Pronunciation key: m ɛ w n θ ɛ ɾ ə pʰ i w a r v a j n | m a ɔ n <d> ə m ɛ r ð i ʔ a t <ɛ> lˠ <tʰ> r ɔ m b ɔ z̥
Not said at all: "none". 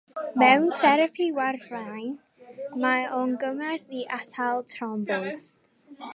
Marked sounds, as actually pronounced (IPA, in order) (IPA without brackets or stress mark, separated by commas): ɡ, a, tʰ